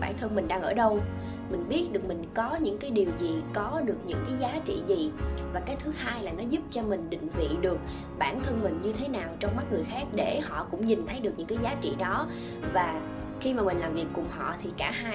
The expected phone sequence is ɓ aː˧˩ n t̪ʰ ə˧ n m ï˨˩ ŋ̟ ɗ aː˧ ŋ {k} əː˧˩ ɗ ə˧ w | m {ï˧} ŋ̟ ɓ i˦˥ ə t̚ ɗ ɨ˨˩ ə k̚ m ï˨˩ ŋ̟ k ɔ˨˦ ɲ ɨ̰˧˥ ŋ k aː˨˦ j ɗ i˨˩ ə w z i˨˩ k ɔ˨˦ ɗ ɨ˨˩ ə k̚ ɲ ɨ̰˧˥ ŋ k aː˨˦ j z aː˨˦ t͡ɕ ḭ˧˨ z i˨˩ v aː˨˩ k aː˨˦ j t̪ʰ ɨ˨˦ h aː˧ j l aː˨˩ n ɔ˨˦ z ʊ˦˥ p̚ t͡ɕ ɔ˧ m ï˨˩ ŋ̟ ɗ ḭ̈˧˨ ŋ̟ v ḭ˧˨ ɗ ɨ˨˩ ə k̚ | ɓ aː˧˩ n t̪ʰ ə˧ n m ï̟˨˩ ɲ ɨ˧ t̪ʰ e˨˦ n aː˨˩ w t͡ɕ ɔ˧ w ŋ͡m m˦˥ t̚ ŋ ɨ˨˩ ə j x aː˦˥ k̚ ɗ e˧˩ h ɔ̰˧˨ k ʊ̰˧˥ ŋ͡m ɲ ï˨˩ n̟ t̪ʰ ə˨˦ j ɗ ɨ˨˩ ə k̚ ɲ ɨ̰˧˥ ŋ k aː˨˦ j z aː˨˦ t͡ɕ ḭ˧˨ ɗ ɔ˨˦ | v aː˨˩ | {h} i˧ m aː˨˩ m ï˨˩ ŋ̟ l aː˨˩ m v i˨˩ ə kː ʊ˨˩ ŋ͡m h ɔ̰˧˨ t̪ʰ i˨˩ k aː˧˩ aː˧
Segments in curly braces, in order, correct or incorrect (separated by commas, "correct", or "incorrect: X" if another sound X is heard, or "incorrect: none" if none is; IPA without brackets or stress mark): incorrect: ʔ, incorrect: ï˨˩, incorrect: x